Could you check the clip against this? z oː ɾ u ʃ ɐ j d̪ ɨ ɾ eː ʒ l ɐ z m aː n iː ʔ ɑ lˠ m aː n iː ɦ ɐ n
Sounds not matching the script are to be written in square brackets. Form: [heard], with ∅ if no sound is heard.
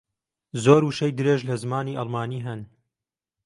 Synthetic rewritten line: z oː ɾ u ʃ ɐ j d̪ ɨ ɾ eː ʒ l ɐ z m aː n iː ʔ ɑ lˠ m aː n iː ɦ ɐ n